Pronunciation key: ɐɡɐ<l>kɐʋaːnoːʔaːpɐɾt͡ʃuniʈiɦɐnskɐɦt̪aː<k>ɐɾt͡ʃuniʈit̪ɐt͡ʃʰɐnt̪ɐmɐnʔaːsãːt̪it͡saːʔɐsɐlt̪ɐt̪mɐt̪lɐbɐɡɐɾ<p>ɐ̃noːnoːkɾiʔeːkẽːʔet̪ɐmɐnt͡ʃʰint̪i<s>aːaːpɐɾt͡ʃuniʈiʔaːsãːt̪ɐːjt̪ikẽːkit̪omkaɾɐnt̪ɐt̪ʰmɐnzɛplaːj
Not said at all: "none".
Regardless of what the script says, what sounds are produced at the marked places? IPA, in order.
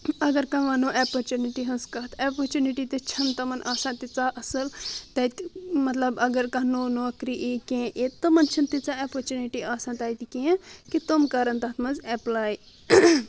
ɾ, p, k, t͡s

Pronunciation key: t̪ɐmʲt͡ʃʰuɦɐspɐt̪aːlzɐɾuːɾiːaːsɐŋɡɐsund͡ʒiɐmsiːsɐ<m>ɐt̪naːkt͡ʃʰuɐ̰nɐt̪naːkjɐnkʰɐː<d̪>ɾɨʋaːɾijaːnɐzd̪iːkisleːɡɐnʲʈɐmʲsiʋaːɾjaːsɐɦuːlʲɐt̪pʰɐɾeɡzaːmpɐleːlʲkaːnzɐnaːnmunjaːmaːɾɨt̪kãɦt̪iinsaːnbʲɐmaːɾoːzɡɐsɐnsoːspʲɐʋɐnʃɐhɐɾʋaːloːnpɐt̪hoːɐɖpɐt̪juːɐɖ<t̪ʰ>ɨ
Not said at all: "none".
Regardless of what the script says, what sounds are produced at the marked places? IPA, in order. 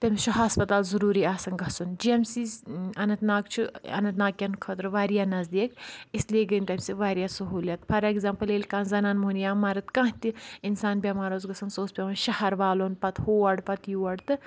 n, t̪, t̪

